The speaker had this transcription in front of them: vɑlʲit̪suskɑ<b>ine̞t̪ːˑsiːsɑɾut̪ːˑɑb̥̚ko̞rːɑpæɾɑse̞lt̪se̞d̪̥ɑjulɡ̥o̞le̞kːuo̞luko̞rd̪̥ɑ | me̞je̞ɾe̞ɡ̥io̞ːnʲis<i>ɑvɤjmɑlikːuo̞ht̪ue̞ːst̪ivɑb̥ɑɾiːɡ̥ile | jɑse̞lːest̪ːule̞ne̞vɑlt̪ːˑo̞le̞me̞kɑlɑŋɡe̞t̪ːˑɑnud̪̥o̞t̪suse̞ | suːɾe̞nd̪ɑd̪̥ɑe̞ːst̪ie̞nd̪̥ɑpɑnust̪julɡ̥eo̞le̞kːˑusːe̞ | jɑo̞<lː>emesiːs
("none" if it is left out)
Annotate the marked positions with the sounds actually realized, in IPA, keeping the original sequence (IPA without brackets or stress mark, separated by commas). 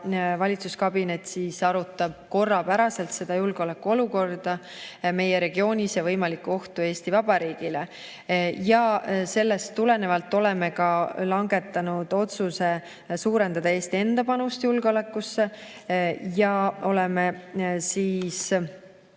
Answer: b, j, l